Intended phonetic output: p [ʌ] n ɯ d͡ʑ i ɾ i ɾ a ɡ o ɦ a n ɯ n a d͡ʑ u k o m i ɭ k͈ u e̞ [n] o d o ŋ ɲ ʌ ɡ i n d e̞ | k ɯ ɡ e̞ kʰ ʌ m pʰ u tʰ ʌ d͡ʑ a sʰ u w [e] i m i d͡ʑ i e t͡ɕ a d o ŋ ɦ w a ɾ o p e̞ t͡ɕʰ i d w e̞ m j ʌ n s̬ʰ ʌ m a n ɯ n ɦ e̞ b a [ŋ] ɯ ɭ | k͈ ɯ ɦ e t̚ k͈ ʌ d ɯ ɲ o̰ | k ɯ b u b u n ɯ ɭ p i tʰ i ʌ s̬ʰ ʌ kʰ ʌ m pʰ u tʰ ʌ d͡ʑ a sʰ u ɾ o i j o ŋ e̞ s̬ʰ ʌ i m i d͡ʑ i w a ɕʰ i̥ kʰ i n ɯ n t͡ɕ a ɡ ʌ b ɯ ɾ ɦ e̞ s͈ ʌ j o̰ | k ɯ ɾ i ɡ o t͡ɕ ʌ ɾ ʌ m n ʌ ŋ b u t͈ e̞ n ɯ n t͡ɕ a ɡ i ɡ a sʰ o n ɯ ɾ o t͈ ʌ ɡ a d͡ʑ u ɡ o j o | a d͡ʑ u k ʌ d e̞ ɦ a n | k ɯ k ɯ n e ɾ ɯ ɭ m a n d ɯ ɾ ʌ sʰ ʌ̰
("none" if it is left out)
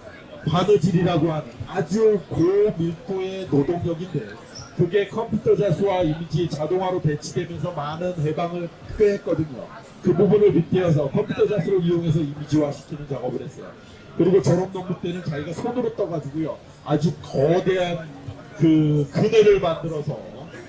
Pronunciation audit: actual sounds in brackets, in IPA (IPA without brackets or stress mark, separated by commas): a, n, a, ŋ